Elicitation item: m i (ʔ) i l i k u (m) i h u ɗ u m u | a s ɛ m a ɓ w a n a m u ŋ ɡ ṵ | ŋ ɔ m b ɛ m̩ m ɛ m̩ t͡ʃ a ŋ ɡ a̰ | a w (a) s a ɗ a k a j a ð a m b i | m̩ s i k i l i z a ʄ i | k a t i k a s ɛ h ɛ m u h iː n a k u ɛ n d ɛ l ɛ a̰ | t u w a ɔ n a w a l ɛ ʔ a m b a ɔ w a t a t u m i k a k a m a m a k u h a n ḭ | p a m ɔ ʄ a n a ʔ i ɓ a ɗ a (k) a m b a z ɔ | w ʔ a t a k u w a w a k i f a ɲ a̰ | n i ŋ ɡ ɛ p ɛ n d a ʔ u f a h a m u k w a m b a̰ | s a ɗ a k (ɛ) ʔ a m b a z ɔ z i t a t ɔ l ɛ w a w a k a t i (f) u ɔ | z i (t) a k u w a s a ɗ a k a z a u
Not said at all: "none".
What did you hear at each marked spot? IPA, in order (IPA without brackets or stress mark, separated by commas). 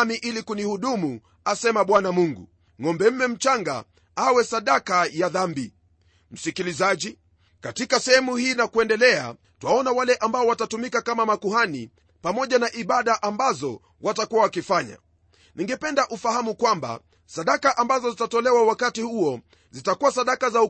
ʔ, n, ɛ, ʔ, a, h, t